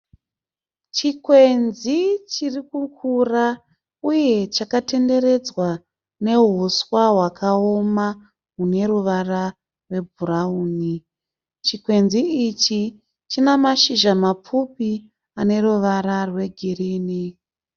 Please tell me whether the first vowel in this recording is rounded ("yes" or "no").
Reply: no